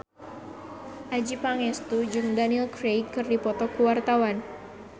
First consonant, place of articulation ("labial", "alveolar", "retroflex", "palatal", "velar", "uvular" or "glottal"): glottal